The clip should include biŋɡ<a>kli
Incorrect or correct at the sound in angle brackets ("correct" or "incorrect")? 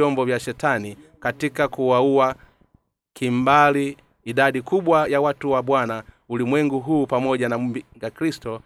correct